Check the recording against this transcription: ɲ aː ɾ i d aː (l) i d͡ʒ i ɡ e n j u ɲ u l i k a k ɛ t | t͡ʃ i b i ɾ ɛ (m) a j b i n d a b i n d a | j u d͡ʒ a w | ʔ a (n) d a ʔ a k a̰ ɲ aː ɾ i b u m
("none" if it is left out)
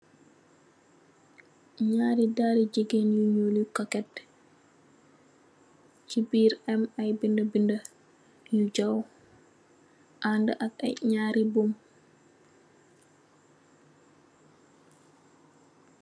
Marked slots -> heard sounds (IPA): ɾ, m, n

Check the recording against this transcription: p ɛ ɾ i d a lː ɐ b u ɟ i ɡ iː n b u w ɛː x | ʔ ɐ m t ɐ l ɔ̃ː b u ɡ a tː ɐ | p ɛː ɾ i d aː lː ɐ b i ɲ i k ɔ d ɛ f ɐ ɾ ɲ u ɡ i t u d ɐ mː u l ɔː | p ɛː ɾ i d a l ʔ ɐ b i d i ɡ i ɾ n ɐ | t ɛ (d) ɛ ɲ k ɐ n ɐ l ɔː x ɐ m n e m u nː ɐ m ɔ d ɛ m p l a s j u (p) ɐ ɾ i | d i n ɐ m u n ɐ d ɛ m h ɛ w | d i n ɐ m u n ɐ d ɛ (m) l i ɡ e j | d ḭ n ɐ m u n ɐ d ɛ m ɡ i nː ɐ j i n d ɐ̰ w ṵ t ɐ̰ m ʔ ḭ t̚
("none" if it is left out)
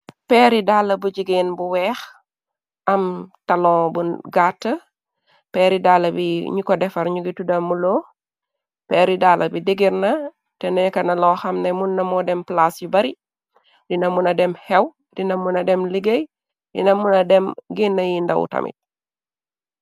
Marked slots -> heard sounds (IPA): n, b, m

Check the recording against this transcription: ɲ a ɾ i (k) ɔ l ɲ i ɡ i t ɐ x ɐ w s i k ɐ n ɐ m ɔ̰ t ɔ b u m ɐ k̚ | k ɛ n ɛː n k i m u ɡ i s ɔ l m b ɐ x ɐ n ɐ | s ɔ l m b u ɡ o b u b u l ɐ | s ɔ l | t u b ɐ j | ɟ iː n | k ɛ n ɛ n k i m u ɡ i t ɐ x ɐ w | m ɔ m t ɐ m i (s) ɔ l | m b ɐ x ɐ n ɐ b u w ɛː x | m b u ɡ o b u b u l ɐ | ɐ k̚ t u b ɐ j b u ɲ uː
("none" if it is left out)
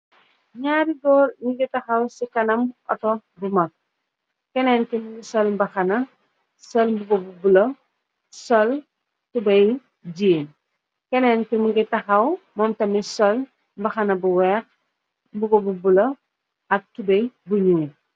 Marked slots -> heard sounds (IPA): ɡ, s

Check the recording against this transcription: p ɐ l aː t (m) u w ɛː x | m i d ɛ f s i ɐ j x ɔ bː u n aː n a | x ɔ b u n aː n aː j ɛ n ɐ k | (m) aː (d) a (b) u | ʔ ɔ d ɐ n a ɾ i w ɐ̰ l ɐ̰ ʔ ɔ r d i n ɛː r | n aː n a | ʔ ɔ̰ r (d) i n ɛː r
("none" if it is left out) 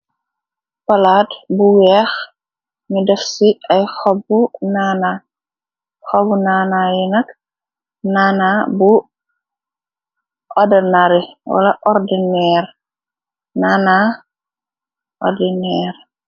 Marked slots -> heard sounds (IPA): b, n, n, b, d

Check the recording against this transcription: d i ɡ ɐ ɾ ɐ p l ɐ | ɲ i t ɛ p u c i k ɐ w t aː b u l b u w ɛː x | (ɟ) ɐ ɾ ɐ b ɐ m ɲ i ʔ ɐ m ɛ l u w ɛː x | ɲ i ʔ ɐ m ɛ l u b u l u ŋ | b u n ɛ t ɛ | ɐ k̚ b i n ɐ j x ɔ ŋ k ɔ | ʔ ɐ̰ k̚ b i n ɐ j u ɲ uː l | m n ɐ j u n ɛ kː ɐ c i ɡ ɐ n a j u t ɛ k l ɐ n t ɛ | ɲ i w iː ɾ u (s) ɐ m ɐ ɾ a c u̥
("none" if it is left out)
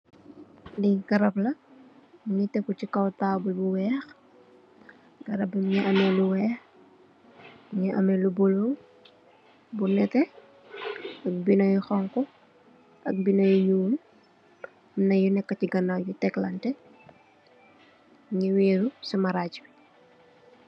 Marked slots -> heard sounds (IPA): ɡ, s

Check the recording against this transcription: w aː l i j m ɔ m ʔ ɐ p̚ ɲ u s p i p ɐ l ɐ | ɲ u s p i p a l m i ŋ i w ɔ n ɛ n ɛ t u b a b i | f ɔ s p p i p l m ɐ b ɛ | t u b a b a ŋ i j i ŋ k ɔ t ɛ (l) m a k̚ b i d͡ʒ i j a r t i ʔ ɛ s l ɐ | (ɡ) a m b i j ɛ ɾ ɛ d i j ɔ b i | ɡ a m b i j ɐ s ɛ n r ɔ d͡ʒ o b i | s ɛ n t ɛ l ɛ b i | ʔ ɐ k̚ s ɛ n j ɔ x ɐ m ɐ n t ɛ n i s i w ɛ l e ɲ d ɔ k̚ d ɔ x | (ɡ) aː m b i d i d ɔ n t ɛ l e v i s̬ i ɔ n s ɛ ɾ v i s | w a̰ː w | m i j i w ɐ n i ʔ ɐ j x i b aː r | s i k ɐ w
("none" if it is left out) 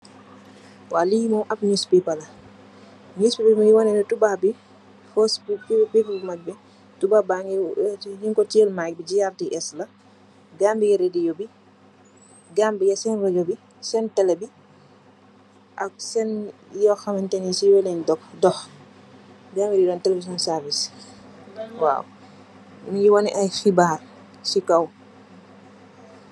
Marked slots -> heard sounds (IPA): l, ɡ, ɡ

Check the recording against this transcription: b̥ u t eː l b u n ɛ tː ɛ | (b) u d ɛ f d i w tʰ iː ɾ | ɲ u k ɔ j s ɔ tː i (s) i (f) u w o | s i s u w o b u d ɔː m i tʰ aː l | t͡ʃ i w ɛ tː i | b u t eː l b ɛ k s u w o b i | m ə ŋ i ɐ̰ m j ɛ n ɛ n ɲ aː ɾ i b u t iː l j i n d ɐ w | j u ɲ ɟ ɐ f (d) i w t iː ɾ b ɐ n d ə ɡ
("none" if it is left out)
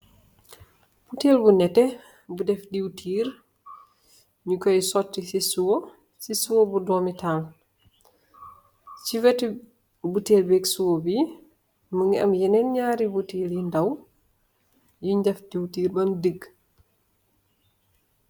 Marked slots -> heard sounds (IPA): b, s, s, d

